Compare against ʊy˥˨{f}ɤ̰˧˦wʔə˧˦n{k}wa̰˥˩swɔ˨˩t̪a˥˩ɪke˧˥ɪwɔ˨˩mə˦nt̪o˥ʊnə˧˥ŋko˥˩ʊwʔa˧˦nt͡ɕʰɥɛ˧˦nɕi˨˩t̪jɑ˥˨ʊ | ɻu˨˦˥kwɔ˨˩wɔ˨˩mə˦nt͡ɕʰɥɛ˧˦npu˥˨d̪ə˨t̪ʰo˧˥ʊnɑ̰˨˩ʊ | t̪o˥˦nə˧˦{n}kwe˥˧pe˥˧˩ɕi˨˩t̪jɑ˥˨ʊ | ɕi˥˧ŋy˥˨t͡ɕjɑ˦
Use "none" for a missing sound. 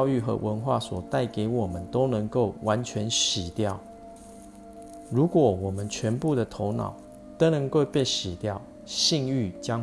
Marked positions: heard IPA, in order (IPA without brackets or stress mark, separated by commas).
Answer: x, x, ŋ